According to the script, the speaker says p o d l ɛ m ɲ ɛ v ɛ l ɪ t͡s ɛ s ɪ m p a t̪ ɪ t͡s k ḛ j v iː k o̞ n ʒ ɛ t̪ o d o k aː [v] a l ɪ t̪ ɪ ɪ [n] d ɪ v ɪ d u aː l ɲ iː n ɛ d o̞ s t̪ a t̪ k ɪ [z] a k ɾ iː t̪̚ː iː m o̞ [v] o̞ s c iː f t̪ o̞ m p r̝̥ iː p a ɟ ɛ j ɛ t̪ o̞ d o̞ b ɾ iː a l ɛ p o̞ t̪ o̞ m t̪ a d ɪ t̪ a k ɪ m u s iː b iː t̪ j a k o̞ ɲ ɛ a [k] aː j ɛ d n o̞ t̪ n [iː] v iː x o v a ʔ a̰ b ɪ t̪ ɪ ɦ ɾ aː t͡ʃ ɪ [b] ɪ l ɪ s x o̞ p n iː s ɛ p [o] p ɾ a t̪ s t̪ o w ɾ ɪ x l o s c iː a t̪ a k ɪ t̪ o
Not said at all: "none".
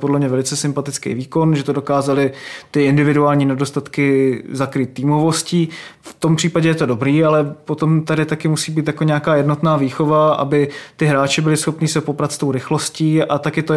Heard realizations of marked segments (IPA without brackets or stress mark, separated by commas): z, n, z, v, k, aː, b, o